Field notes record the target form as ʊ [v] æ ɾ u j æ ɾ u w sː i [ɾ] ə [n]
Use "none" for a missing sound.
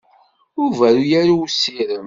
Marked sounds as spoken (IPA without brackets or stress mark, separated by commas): v, ɾ, m